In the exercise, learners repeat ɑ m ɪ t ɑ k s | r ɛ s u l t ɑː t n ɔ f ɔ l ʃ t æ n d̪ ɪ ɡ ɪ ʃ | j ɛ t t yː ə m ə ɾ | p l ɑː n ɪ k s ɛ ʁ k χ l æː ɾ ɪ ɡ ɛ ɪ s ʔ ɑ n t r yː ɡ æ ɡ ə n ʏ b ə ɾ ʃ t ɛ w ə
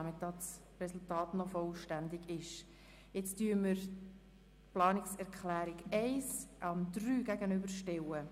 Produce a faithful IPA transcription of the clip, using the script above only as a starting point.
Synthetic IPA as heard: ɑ m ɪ t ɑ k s | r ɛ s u l t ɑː t n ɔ f ɔ l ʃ t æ n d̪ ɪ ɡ ɪ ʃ | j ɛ t͡s t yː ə m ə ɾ | p l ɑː n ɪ k s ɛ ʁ k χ l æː ɾ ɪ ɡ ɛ ɪ s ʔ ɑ n d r yː ɡ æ ɡ ə n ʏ b ə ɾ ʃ t ɛ w ə